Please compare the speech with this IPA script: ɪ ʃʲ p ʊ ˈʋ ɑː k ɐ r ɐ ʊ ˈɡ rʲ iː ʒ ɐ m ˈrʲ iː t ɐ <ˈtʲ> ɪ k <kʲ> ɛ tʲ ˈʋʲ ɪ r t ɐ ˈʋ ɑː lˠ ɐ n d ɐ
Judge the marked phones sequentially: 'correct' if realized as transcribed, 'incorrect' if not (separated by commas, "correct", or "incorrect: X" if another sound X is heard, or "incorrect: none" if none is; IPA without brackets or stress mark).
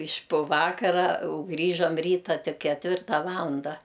correct, correct